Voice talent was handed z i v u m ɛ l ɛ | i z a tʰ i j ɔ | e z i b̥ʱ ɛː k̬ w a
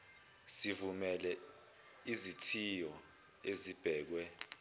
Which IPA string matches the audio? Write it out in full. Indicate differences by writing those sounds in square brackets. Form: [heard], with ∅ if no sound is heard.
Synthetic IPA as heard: [s] i v u m ɛ l ɛ | i z [i] tʰ i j ɔ | e z i b̥ʱ ɛː k̬ w [ɛ]